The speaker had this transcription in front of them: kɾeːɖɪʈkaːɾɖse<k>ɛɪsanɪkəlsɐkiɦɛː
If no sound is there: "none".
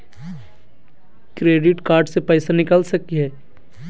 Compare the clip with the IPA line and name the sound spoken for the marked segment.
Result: p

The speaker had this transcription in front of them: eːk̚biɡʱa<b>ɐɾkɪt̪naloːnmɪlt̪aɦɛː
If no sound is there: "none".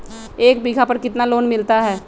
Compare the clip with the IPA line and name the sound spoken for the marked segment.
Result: p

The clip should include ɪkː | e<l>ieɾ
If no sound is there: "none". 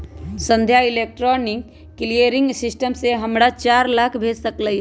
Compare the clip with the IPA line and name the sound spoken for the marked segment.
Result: l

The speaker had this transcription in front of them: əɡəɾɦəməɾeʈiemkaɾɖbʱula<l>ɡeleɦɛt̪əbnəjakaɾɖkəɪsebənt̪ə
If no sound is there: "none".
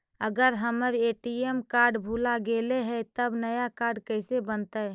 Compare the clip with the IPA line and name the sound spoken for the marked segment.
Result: none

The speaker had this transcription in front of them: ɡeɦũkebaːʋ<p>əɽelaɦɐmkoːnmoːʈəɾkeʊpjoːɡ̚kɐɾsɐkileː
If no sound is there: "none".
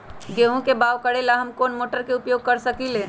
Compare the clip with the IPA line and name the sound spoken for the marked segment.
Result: k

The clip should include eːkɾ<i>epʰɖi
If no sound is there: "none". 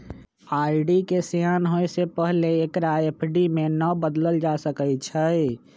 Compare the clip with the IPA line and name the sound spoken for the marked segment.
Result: a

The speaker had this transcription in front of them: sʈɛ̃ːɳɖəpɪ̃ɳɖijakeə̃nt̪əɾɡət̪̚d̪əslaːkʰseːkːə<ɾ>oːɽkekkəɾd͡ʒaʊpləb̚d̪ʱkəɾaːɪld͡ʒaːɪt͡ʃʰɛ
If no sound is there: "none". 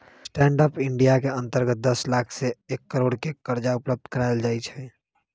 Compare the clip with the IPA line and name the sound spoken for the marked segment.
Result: ɾ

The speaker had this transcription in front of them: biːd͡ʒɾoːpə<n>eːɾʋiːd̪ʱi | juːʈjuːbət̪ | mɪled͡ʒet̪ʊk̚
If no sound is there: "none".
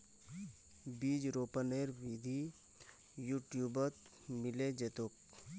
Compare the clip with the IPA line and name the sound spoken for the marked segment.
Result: n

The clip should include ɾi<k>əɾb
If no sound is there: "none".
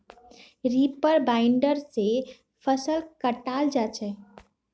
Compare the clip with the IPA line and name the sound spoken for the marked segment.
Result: p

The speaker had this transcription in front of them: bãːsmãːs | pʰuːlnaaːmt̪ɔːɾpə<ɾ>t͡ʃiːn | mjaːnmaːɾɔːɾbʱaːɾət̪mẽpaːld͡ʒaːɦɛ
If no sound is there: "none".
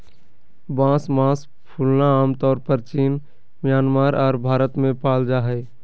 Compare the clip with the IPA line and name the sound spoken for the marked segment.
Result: ɾ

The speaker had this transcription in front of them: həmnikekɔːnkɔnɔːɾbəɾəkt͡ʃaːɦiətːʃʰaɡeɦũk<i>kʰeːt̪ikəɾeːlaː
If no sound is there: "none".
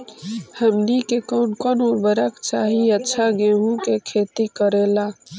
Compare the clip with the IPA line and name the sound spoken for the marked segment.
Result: e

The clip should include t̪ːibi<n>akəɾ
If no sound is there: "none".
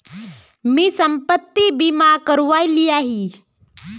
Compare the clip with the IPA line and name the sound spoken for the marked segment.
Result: m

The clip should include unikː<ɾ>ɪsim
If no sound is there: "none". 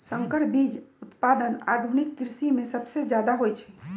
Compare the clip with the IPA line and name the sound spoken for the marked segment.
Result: ɾ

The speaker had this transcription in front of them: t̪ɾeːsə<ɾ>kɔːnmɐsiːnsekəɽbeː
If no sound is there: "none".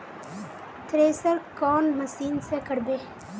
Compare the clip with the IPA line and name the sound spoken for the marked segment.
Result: ɾ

